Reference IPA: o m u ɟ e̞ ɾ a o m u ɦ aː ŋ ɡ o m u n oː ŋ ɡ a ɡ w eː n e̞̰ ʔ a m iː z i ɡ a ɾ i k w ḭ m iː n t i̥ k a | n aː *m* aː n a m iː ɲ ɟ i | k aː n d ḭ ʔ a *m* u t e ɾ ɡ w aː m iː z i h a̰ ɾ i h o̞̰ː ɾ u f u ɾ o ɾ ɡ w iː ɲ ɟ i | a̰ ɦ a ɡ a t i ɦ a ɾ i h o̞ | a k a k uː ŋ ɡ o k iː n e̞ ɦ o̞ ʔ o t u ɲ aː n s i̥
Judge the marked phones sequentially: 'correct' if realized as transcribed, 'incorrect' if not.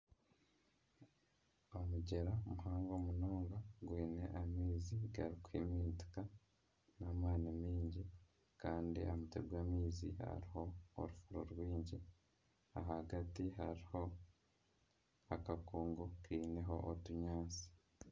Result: correct, correct

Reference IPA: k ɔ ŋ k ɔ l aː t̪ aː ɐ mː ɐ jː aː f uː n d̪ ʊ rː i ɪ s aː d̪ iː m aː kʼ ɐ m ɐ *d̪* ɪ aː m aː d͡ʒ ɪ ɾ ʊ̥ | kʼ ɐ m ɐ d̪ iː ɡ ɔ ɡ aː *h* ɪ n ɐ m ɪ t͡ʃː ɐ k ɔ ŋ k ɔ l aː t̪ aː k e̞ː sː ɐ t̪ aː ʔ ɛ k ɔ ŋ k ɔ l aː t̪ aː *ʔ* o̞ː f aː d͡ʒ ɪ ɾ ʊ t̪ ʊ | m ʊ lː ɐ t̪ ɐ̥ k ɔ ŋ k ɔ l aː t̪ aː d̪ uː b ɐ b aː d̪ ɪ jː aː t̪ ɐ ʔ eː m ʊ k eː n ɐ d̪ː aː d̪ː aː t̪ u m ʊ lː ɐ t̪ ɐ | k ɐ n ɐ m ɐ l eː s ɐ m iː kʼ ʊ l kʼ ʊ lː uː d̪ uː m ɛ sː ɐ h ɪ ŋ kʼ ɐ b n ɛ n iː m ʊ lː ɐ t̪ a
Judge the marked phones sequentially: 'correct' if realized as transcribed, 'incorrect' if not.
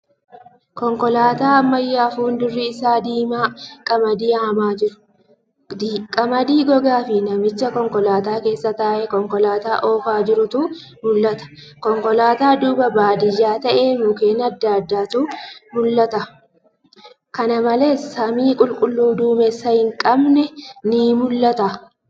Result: correct, incorrect, correct

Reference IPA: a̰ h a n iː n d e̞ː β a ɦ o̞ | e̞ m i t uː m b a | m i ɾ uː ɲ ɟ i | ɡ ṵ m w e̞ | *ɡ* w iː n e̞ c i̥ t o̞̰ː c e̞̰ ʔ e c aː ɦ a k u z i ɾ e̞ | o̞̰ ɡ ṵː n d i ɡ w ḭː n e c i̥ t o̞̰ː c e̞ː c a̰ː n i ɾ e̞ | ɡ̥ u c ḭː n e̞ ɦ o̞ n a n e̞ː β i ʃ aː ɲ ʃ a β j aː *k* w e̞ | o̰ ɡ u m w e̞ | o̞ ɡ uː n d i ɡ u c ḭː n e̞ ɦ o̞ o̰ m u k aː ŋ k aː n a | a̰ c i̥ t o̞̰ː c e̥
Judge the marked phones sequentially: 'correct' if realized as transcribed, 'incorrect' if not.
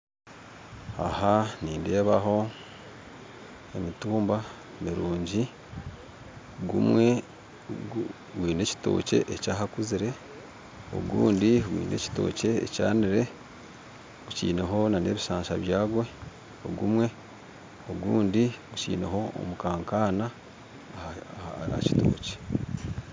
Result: correct, incorrect

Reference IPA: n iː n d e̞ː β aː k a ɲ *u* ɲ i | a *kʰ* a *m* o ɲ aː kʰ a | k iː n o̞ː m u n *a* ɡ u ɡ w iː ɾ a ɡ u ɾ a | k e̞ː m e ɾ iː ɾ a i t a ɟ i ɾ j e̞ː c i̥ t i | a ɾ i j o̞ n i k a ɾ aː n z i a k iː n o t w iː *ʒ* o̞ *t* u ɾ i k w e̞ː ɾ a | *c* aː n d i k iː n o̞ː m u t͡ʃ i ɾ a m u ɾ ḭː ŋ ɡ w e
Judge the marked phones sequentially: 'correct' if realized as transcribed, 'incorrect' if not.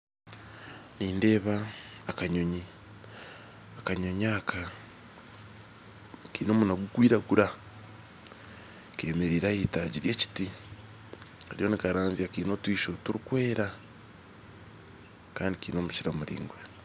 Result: incorrect, incorrect, incorrect, correct, incorrect, correct, incorrect

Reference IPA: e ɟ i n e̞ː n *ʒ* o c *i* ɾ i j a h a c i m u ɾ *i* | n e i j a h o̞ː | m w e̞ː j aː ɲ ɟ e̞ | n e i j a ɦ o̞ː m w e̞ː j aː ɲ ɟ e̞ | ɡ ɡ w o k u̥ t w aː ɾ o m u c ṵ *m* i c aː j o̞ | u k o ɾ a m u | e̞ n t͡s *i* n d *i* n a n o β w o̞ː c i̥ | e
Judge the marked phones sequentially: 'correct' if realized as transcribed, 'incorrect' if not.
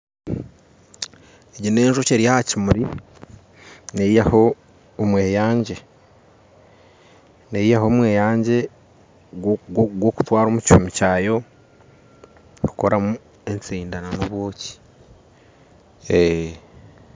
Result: correct, incorrect, correct, correct, incorrect, incorrect

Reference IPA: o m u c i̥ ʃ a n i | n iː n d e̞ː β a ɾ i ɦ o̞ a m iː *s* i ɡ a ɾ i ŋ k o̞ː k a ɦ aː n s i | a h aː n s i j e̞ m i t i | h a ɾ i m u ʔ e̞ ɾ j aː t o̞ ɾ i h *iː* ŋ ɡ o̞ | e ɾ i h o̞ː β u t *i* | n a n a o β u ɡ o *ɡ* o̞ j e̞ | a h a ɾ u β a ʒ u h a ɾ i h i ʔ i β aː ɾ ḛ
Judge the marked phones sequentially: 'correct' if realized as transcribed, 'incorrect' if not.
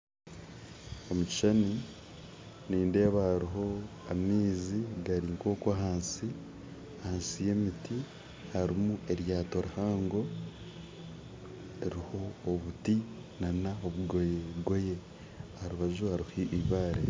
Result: incorrect, incorrect, correct, correct

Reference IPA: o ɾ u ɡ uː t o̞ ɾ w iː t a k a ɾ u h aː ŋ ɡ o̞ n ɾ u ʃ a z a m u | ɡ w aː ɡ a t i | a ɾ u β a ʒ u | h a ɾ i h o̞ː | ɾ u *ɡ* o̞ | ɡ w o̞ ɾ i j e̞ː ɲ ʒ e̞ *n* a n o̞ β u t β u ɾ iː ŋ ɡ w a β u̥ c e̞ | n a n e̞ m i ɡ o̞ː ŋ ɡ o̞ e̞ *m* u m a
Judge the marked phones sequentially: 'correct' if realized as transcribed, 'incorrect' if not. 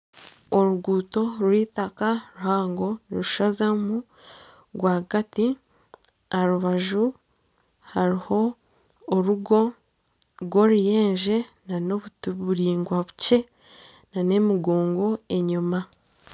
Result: correct, correct, incorrect

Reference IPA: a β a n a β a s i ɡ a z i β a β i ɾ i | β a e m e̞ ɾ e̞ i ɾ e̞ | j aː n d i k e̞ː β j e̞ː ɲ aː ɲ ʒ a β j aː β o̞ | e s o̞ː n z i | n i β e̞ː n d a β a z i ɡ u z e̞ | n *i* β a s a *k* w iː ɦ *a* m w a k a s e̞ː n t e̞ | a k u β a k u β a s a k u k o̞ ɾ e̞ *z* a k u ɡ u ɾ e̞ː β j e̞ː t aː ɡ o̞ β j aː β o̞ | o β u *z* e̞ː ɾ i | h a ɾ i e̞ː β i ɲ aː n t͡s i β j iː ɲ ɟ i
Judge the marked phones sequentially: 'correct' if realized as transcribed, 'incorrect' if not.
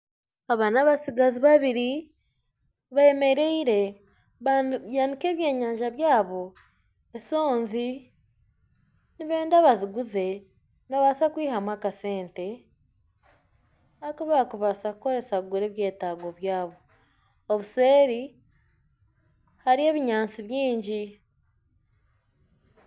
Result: incorrect, correct, correct, incorrect, incorrect

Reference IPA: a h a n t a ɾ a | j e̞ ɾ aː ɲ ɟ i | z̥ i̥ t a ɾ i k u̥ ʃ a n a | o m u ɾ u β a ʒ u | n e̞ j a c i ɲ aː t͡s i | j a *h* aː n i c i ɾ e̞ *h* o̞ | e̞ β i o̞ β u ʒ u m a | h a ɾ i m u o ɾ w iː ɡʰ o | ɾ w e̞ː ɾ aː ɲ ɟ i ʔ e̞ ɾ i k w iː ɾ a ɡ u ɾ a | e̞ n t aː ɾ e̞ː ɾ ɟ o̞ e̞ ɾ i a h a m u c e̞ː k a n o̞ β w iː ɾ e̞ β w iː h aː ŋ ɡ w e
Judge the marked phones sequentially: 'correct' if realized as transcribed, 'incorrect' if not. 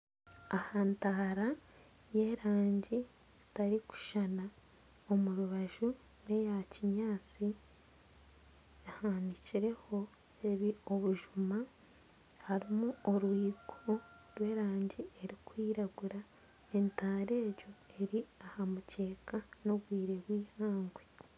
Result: correct, correct

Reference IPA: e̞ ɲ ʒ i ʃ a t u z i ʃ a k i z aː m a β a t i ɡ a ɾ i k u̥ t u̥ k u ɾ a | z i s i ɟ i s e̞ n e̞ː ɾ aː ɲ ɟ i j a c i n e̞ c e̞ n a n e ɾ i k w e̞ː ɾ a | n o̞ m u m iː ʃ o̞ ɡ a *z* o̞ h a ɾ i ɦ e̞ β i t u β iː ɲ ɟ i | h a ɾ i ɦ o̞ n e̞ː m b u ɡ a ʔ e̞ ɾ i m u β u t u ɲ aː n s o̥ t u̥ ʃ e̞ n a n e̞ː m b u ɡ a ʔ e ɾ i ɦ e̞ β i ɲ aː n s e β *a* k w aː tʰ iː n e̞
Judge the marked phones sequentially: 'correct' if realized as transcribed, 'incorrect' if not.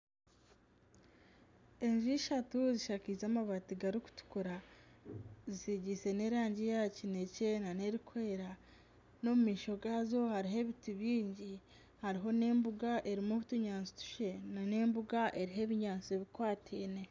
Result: correct, incorrect

